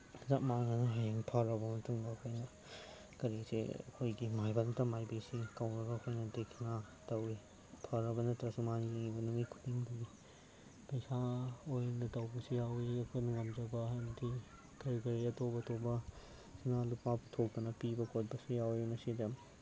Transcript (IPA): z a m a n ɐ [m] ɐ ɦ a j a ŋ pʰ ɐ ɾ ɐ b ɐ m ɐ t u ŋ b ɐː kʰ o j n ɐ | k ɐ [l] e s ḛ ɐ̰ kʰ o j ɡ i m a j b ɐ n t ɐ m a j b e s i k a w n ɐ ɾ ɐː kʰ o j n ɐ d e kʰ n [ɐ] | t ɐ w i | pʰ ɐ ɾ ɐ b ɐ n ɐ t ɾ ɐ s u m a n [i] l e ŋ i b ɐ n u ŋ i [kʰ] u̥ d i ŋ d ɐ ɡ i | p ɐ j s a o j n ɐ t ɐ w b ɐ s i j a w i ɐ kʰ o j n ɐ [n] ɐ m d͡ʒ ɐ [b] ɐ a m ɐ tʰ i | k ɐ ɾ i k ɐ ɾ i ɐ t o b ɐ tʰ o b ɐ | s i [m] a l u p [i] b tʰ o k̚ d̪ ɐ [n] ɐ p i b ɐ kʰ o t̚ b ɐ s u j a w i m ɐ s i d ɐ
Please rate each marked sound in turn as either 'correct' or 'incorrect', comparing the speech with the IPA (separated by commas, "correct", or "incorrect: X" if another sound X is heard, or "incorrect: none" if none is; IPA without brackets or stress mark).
incorrect: n, incorrect: ɾ, incorrect: a, correct, correct, incorrect: ŋ, correct, incorrect: n, incorrect: a, correct